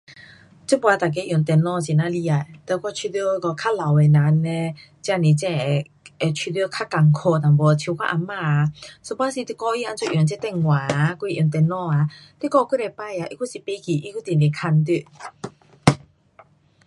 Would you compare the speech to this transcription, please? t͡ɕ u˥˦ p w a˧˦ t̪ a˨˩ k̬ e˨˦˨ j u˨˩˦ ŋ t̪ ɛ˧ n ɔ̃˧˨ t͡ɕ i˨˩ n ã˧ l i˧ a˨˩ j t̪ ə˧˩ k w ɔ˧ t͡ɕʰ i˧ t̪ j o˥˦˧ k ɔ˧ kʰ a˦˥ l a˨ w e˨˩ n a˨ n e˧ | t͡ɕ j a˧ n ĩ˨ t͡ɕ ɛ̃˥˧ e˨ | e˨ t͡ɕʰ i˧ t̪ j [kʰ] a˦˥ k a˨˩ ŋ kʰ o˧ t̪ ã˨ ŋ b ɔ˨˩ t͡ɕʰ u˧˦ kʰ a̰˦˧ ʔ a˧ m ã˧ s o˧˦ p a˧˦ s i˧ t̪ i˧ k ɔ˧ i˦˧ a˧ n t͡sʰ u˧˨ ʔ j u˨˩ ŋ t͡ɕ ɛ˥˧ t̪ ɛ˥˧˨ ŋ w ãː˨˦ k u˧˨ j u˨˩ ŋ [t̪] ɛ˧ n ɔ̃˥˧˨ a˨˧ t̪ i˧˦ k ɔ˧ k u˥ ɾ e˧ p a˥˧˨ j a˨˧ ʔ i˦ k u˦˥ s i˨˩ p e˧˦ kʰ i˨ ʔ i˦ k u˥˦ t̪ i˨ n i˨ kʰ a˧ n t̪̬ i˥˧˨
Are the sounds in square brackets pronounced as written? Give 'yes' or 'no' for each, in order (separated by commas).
yes, yes